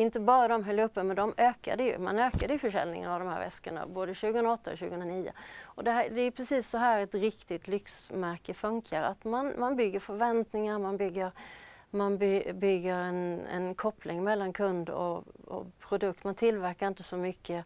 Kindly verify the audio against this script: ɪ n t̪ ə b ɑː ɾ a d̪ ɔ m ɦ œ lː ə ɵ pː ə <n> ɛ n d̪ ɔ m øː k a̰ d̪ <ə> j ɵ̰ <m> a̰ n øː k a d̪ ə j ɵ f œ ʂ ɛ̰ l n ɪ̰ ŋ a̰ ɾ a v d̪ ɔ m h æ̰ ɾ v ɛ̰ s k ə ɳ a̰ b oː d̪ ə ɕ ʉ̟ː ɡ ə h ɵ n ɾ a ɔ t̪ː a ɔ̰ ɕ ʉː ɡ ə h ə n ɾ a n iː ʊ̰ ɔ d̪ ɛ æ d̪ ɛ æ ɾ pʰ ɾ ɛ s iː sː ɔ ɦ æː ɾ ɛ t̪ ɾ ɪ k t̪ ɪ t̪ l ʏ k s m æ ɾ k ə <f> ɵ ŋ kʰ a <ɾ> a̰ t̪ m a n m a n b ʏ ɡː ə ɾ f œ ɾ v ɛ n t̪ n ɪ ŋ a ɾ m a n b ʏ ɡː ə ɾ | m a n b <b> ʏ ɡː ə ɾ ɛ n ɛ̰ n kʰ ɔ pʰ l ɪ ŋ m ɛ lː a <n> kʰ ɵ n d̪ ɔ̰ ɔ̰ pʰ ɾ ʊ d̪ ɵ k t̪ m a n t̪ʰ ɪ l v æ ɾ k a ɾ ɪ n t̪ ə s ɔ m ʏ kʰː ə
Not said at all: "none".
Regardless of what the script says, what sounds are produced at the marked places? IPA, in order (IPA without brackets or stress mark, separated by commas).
m, ə, m, f, ɾ, b, n